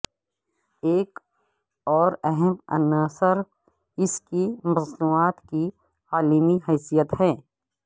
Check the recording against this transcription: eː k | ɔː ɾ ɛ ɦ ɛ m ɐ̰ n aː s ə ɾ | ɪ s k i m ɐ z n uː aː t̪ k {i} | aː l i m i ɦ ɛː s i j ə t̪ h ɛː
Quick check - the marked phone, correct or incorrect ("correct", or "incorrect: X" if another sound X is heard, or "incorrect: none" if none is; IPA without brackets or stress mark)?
correct